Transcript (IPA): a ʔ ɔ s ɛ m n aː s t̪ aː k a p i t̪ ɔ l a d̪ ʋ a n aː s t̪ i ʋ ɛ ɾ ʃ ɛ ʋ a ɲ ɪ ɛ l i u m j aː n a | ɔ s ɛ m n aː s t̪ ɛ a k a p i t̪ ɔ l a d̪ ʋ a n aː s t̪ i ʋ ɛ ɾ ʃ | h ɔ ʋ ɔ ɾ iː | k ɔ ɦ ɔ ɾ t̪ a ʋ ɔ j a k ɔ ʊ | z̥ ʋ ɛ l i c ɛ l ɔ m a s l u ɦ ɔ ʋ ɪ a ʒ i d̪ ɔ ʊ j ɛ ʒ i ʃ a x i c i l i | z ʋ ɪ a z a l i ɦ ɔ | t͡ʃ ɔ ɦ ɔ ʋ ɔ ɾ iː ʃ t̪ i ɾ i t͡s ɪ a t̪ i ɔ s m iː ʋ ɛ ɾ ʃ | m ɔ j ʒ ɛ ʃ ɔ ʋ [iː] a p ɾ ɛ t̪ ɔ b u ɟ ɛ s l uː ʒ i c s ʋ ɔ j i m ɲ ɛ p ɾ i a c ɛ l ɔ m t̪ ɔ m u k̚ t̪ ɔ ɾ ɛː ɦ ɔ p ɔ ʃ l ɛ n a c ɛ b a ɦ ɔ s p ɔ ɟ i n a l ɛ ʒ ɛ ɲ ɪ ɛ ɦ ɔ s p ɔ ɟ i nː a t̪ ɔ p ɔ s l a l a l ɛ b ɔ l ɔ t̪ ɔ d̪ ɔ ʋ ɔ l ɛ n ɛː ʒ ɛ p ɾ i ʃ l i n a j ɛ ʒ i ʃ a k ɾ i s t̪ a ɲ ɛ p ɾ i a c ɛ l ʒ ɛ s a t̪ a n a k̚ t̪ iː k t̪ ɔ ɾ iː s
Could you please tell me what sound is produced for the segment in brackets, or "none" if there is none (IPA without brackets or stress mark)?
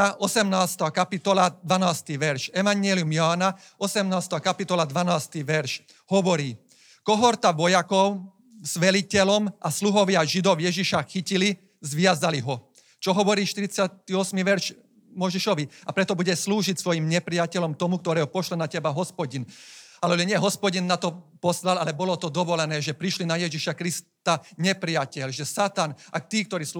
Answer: i